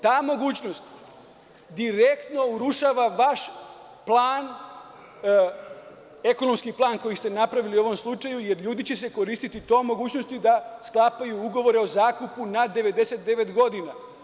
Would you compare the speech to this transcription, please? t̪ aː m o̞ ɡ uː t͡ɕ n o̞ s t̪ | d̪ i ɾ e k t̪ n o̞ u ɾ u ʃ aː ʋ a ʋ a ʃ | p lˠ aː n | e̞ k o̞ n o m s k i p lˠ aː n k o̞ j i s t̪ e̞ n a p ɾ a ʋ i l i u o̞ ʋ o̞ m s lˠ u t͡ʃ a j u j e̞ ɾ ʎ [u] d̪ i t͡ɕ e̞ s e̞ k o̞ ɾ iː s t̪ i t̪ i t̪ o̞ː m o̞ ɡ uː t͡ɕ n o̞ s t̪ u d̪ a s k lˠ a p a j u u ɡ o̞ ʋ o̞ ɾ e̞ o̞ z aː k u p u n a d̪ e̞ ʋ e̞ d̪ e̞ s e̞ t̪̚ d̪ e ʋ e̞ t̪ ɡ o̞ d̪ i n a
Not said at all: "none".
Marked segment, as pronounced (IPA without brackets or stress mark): uː